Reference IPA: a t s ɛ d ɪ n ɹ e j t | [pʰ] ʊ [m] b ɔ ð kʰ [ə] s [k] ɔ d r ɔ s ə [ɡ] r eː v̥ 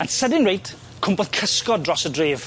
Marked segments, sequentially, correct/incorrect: incorrect: kʰ, correct, correct, correct, incorrect: d

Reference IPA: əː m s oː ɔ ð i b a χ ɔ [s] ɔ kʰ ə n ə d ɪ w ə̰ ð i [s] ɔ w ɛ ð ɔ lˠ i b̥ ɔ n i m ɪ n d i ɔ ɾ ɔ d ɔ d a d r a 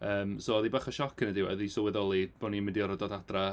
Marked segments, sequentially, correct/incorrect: incorrect: ʃ, correct

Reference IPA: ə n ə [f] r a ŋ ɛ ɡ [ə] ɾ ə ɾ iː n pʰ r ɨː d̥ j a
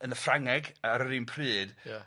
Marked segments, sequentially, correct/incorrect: correct, incorrect: a

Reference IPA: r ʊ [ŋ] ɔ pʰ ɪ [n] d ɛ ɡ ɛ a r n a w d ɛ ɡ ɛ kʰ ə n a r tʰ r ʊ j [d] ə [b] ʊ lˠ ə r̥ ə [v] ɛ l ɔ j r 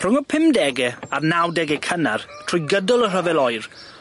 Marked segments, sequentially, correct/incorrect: correct, incorrect: m, incorrect: ɡ, incorrect: d, correct

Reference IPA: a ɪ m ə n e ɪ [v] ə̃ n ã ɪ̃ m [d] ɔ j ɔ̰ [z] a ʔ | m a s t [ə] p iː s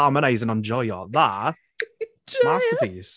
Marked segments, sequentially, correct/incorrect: incorrect: z, incorrect: d͡ʒ, incorrect: ð, correct

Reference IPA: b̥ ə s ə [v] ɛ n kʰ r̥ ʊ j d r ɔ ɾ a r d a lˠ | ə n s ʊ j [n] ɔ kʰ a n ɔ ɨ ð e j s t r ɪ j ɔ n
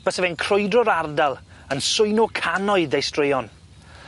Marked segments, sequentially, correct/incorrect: correct, correct

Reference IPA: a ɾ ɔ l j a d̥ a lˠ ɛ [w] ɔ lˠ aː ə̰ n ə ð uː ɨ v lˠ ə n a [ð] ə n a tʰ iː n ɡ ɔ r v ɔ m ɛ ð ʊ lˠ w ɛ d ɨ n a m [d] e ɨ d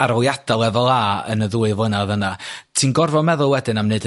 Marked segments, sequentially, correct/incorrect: incorrect: v, correct, incorrect: n

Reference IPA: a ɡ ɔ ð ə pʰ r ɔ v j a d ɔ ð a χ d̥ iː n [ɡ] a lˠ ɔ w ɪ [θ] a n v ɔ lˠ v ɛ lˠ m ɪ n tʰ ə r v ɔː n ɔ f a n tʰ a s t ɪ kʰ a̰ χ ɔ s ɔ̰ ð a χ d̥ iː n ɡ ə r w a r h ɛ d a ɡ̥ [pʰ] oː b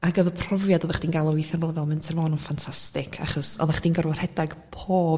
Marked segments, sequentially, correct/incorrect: correct, correct, correct

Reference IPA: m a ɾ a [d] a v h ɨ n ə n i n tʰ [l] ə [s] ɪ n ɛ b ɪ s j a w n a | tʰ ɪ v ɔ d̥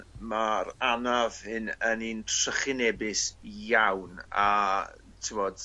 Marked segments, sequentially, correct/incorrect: incorrect: n, incorrect: r, incorrect: χ

